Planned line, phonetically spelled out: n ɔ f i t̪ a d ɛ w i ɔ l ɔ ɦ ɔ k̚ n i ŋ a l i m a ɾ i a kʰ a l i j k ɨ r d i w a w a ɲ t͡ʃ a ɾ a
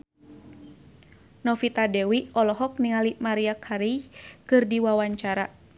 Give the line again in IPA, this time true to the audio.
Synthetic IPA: n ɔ f i t̪ a d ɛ w i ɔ l ɔ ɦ ɔ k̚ n i ŋ a l i m a ɾ i a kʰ a ɾ i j k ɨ r d i w a w a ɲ t͡ʃ a ɾ a